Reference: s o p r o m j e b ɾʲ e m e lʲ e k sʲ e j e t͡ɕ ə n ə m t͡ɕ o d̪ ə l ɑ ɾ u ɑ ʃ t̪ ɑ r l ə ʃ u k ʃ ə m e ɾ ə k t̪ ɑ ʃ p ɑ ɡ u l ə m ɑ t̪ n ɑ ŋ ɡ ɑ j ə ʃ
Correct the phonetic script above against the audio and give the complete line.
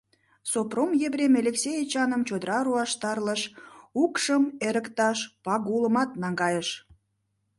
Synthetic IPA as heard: s o p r o m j e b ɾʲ e m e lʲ e k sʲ e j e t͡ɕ ɑ n ə m t͡ɕ o d̪ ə ɾ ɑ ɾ u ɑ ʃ t̪ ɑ r l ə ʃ u k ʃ ə m e ɾ ə k t̪ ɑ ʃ p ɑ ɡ u l ə m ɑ t̪ n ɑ ŋ ɡ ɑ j ə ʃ